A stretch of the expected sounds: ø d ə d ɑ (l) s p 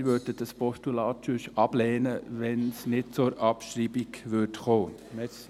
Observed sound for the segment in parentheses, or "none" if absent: none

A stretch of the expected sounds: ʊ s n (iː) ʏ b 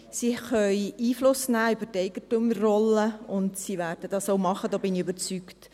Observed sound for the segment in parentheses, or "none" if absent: æː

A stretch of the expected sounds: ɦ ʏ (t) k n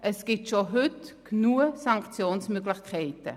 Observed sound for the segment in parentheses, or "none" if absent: t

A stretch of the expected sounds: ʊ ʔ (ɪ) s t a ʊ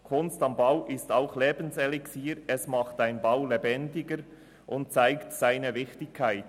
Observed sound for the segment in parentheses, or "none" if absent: ɪ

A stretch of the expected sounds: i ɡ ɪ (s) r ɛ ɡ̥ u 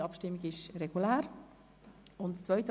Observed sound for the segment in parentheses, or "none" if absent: ʃ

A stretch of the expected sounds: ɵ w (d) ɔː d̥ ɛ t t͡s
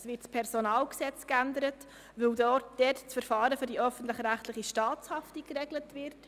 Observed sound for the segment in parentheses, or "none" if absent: d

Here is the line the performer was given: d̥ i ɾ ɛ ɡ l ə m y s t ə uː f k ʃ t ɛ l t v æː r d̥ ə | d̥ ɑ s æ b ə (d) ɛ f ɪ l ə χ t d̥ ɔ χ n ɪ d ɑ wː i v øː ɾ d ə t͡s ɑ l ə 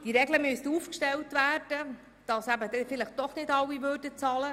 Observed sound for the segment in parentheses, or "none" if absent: d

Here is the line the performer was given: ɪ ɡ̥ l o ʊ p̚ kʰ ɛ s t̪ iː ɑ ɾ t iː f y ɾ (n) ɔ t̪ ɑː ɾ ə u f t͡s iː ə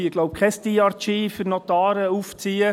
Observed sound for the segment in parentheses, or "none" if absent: n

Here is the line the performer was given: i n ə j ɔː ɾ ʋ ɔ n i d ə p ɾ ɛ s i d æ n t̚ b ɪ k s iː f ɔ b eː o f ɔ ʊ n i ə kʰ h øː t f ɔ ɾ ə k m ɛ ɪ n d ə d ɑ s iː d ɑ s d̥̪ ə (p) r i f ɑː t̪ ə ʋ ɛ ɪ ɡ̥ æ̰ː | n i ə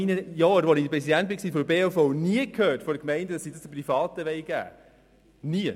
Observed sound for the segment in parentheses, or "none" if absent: p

